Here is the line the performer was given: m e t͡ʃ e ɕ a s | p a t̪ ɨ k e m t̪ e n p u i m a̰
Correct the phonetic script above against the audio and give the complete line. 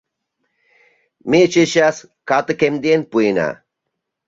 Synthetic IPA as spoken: m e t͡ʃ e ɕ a s | k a t̪ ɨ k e m d̪ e n p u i n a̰